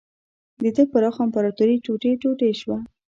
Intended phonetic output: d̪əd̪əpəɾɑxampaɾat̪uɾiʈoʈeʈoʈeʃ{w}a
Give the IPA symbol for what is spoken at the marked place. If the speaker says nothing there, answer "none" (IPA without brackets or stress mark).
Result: w